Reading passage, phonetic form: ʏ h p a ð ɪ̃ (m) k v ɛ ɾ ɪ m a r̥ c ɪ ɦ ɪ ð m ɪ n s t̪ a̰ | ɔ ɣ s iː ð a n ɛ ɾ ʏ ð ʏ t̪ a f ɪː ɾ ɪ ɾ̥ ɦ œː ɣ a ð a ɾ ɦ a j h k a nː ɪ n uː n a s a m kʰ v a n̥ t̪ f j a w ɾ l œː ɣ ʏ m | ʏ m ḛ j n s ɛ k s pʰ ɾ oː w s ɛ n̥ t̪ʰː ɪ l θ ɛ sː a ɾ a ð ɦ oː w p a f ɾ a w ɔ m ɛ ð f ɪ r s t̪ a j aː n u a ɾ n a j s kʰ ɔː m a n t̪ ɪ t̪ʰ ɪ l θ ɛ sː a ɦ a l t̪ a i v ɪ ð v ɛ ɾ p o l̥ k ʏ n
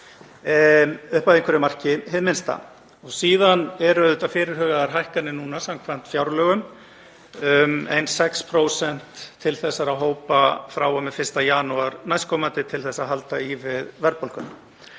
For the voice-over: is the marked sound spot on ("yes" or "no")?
no